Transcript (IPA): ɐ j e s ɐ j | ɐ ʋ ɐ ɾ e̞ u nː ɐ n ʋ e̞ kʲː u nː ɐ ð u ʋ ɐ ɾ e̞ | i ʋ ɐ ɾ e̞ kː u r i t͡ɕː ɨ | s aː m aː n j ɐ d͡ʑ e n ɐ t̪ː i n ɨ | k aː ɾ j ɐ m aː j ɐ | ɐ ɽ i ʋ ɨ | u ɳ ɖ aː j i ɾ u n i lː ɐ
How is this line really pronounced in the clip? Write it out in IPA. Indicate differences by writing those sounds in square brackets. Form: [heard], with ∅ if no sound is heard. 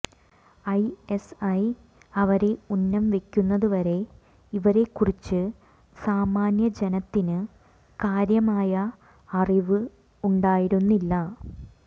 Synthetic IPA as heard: ɐ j e s ɐ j | ɐ ʋ ɐ ɾ e̞ u nː ɐ [m] ʋ e̞ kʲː u nː ɐ ð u ʋ ɐ ɾ e̞ | i ʋ ɐ ɾ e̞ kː u r i t͡ɕː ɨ | s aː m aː n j ɐ d͡ʑ e n ɐ t̪ː i n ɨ | k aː ɾ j ɐ m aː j ɐ | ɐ [r] i ʋ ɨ | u ɳ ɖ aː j i ɾ u [nː] i lː ɐ